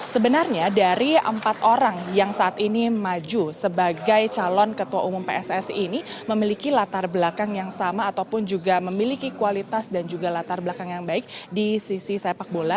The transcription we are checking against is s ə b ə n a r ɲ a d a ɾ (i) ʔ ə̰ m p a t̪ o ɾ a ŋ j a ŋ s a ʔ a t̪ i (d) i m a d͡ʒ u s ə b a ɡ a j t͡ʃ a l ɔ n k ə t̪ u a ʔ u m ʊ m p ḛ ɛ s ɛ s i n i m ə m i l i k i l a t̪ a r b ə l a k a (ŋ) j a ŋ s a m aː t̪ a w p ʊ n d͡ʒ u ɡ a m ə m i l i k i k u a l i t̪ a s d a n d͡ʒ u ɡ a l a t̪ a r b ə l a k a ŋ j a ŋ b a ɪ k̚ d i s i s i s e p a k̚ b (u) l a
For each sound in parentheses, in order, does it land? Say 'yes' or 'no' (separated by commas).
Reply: yes, no, yes, no